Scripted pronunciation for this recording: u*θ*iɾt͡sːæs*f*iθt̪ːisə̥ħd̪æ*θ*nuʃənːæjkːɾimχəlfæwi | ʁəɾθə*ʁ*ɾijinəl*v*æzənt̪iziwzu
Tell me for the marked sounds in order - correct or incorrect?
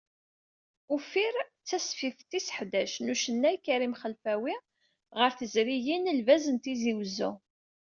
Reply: incorrect, correct, incorrect, incorrect, correct

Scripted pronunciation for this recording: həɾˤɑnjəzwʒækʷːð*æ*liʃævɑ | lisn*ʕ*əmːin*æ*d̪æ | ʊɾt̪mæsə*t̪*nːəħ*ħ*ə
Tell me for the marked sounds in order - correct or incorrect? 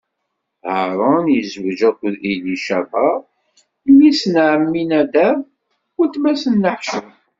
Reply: incorrect, correct, correct, incorrect, incorrect

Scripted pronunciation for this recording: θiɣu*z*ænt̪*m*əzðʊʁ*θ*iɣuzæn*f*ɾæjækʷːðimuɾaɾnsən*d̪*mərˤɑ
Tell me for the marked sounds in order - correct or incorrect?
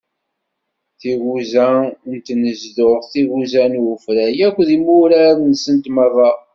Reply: correct, incorrect, correct, correct, incorrect

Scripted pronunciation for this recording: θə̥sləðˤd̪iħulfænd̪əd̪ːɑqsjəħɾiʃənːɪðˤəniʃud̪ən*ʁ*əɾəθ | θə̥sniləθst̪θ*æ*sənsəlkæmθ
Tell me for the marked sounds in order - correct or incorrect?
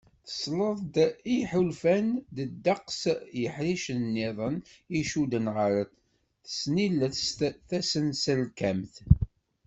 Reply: correct, correct

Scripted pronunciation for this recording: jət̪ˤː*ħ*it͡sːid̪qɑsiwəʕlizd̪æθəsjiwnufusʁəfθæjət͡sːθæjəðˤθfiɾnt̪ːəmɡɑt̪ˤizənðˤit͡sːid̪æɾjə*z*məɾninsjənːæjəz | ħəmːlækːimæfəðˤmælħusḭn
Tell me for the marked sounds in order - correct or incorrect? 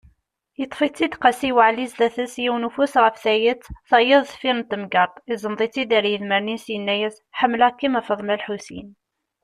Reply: incorrect, incorrect

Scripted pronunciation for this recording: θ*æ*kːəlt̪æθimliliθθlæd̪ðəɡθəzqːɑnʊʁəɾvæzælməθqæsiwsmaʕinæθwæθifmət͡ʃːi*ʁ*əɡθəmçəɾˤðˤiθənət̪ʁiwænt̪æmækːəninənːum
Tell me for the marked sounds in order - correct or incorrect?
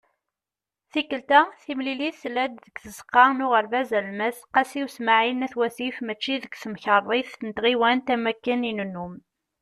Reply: incorrect, incorrect

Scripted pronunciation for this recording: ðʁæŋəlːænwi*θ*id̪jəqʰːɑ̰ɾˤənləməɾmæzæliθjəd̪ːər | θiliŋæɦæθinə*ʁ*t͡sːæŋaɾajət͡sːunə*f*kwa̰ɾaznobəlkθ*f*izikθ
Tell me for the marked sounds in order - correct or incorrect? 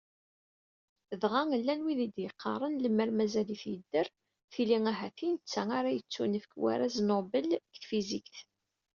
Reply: incorrect, incorrect, correct, correct

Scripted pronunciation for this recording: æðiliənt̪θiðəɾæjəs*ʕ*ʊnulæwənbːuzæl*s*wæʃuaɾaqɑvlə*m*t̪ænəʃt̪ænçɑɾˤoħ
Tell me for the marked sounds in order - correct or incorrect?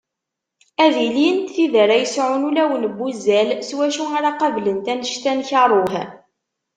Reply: correct, correct, incorrect

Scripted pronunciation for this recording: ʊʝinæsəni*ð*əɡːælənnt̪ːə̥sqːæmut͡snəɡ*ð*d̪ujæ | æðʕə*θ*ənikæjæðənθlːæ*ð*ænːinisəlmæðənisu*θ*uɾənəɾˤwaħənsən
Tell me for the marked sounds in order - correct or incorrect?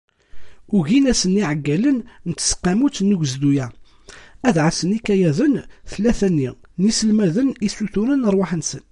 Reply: incorrect, incorrect, incorrect, incorrect, correct

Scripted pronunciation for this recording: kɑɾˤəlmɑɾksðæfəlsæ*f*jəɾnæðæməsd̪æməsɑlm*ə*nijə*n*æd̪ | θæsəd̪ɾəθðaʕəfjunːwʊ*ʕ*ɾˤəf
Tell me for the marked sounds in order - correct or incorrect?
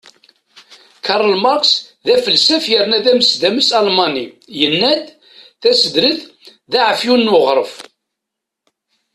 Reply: correct, incorrect, incorrect, incorrect

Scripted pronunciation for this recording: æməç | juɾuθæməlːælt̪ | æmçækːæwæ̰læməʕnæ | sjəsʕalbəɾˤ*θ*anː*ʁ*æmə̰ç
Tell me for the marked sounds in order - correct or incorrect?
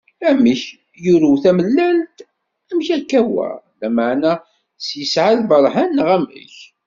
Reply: incorrect, correct

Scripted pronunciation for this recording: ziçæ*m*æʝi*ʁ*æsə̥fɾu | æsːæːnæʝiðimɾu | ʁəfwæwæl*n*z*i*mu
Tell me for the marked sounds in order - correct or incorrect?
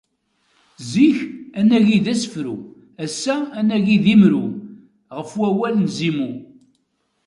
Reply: incorrect, incorrect, correct, correct

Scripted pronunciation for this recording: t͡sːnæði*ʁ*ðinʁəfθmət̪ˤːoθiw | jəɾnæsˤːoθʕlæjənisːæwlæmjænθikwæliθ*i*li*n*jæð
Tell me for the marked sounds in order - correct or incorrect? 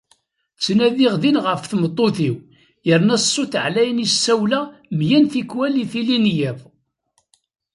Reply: correct, correct, correct

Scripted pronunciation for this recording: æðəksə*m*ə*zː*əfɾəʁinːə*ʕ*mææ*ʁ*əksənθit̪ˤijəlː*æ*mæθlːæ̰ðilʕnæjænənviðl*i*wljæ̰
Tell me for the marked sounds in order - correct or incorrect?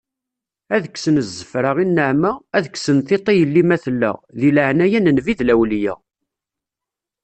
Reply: incorrect, correct, correct, incorrect, incorrect, incorrect

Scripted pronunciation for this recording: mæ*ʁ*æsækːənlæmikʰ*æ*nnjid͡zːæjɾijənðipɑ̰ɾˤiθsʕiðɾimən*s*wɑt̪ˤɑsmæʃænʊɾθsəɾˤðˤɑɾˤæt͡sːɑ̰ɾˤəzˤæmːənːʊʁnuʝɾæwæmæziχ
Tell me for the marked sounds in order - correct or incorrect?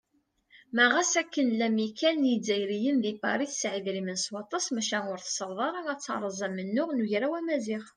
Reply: correct, correct, correct

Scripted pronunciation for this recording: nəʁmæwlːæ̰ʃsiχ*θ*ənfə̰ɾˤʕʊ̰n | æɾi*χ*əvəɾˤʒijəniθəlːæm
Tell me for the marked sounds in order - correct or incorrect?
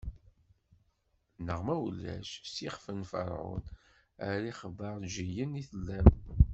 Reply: incorrect, correct

